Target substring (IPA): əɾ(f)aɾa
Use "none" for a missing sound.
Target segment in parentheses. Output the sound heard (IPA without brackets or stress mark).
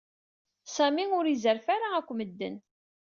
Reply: f